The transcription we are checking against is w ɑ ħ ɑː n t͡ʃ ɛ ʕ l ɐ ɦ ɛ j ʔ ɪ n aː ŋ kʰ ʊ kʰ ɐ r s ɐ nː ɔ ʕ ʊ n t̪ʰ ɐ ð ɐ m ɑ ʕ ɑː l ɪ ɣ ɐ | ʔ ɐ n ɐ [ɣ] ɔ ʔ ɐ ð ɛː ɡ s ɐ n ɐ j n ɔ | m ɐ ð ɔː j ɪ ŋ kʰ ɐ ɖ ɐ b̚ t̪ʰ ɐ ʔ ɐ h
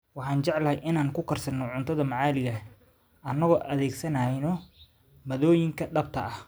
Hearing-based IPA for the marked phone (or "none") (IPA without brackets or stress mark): ɣ